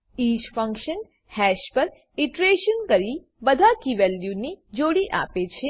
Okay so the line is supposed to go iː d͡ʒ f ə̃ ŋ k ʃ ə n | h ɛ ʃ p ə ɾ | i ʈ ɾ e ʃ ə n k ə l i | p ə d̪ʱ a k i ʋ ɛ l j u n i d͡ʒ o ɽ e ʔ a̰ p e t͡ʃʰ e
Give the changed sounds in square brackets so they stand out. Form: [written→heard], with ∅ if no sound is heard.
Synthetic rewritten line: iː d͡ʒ f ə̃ ŋ k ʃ ə n | h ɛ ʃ p ə ɾ | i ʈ ɾ e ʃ ə n k ə [l→ɾ] i | [p→b] ə d̪ʱ a k i ʋ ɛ l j u n i d͡ʒ o ɽ [e→i] ʔ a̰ p e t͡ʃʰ e